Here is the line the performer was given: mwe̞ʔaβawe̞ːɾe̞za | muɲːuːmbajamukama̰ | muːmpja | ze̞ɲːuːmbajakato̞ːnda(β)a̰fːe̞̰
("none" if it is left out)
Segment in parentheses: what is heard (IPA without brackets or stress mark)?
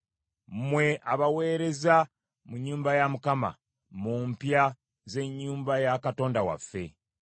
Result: w